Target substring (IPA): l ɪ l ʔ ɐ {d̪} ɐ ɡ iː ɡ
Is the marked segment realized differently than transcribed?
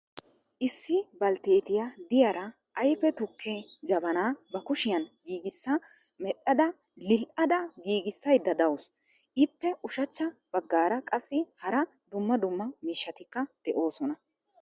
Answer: no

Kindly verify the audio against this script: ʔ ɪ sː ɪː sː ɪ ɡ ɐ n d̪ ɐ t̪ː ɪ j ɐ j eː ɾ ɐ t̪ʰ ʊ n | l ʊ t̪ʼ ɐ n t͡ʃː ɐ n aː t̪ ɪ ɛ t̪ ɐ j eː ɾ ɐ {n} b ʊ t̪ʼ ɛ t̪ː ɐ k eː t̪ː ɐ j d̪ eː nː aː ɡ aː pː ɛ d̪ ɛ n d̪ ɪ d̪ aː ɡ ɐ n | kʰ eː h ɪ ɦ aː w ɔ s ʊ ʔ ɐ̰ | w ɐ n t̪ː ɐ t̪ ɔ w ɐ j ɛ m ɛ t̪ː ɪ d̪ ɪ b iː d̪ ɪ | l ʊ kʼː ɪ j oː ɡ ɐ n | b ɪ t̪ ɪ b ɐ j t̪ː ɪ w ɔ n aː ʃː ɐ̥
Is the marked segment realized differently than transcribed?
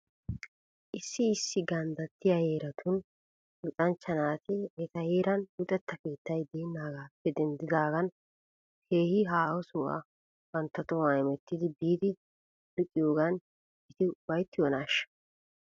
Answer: no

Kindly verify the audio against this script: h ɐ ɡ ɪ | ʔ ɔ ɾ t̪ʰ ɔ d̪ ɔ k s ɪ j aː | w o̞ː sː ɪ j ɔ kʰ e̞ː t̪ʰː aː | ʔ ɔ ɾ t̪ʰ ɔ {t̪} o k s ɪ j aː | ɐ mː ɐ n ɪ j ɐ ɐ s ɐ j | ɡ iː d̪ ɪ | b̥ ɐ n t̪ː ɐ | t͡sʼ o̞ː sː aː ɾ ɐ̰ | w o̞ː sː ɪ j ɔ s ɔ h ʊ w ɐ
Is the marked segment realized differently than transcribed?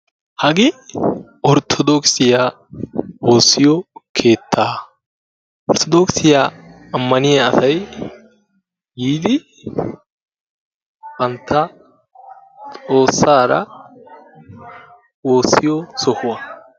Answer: yes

